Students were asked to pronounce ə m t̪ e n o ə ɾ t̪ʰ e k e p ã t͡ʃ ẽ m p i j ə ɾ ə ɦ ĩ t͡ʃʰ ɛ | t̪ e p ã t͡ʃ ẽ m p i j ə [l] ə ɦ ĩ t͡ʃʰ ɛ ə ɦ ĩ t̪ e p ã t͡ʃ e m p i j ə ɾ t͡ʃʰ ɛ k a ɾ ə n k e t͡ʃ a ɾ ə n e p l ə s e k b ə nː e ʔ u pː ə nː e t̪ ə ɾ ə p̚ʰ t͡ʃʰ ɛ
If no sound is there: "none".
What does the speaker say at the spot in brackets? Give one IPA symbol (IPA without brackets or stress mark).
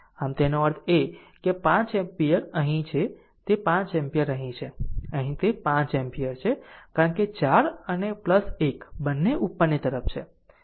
ɾ